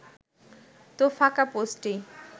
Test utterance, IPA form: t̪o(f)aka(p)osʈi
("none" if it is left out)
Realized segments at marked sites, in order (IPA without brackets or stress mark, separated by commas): f, p